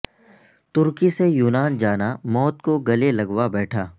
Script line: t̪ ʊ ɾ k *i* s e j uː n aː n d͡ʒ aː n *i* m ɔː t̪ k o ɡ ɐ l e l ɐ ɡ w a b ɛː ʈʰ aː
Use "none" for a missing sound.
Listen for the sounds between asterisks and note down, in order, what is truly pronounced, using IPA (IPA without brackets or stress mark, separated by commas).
i, a